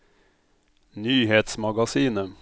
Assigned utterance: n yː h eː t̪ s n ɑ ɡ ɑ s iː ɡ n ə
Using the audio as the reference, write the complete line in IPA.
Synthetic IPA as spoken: n yː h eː t̪ s m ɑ ɡ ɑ s iː n ə